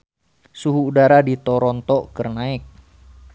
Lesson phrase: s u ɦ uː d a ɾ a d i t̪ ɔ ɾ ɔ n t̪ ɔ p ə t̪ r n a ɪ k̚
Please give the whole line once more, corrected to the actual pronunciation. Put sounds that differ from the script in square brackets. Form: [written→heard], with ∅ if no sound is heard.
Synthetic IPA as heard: s u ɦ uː d a ɾ a d i t̪ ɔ ɾ ɔ n t̪ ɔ [p→k] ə [t̪→∅] r n a ɪ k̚